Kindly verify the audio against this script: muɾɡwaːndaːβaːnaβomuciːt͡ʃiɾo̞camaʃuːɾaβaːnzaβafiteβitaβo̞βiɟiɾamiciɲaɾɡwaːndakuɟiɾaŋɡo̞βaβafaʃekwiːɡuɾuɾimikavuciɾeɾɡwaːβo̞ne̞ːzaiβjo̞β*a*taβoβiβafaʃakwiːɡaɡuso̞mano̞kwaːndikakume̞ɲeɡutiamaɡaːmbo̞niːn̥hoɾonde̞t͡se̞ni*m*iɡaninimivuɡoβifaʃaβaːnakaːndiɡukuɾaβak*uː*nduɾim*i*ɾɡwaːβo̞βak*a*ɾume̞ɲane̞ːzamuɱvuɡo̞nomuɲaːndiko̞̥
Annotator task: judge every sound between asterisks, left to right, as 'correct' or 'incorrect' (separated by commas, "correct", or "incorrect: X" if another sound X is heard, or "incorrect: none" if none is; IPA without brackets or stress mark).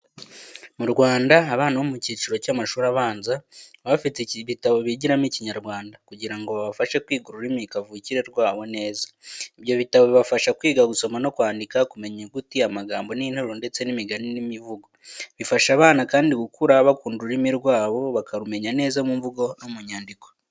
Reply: incorrect: i, correct, correct, correct, correct